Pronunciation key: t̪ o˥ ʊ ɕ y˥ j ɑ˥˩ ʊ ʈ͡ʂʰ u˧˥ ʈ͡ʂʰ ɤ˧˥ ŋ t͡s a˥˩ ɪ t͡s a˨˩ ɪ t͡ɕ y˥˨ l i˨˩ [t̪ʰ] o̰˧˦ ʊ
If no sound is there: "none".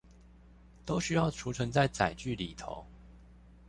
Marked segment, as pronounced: t̪ʰ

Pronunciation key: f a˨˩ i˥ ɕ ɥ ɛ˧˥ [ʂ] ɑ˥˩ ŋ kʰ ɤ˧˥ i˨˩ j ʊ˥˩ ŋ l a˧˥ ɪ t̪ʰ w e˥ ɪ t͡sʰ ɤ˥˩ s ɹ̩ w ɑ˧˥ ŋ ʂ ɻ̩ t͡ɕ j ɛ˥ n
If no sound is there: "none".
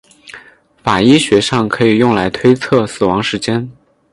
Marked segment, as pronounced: ʂ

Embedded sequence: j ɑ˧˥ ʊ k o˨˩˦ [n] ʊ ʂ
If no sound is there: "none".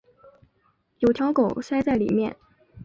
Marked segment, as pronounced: none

